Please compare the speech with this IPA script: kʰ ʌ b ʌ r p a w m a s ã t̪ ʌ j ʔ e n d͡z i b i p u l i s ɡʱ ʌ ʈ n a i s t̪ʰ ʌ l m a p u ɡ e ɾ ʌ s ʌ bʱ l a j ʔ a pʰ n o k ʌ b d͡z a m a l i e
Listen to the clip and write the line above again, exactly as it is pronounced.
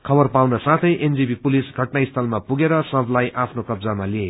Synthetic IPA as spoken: kʰ ʌ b ʌ r p a w n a s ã t̪ʰ ʌ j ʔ e n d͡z i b i p u l i s ɡʱ ʌ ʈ n a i s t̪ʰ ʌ l m a p u ɡ e ɾ ʌ s ʌ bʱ l a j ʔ a pʰ n o k ʌ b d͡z a m a l i e